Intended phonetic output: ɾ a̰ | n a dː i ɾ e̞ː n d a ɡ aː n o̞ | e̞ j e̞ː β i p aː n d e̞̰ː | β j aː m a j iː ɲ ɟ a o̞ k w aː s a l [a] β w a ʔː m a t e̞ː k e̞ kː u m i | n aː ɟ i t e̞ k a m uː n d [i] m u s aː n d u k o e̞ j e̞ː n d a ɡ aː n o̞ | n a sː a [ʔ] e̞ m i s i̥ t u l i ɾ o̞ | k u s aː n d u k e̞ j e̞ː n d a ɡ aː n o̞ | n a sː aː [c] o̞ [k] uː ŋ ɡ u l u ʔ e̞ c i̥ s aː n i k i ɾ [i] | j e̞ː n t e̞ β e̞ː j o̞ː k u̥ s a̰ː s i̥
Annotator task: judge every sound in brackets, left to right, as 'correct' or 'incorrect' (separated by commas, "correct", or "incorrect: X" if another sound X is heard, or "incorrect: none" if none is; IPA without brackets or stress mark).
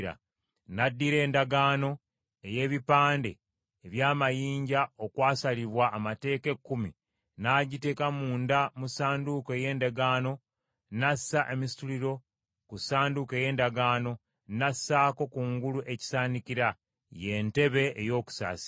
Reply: incorrect: i, incorrect: a, correct, incorrect: k, correct, incorrect: a